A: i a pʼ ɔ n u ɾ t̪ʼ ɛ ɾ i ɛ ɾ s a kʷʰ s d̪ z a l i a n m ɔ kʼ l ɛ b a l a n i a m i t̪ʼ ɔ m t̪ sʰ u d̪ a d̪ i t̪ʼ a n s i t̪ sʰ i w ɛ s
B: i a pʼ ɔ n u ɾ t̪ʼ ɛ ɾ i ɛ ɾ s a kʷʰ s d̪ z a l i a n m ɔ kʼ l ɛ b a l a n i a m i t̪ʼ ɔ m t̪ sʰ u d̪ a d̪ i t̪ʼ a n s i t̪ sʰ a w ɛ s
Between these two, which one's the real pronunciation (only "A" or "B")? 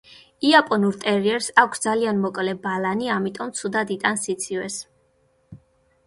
A